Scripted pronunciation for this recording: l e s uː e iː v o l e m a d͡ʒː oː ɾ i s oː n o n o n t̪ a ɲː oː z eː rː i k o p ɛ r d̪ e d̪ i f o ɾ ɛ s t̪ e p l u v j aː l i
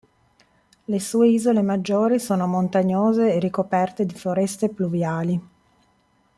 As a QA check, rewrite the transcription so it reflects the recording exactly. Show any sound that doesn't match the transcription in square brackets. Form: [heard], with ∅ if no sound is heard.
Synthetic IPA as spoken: l e s uː e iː [z] o l e m a d͡ʒː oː ɾ i s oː n o [m] o n t̪ a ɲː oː z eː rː i k o p ɛ r [t̪] e d̪ i f o ɾ ɛ s t̪ e p l u v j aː l i